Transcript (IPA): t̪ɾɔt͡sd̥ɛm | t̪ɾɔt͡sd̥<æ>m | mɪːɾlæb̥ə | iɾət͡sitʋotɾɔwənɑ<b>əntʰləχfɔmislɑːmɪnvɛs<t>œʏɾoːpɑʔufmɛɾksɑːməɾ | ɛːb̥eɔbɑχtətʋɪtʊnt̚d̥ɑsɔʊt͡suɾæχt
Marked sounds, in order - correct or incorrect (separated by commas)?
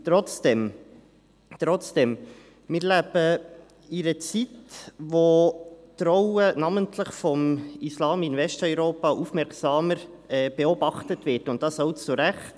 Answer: incorrect, incorrect, correct